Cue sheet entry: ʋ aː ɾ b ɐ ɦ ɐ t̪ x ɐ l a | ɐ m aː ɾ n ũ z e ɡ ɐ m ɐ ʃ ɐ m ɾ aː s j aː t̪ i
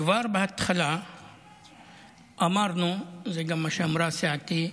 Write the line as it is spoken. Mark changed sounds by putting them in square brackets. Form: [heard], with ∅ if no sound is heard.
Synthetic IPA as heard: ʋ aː ɾ b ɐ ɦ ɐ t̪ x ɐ l a | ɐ m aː ɾ n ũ z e ɡ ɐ m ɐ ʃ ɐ m ɾ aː s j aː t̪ i